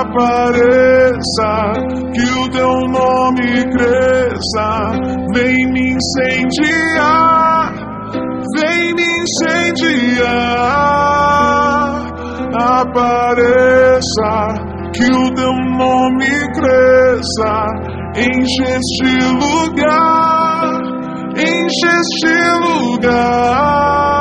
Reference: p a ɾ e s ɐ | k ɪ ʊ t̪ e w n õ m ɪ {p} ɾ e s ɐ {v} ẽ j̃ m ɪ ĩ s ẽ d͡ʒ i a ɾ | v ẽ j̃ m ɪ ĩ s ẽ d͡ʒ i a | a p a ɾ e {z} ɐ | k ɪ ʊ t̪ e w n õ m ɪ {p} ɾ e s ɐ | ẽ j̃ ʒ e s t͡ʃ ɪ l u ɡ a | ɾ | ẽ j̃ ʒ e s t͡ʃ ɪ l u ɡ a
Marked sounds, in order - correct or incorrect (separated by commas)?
incorrect, correct, incorrect, incorrect